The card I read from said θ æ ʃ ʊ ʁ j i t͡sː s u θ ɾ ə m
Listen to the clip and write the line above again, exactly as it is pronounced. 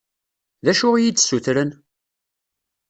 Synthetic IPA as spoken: ð æ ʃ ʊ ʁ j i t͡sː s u θ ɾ ə n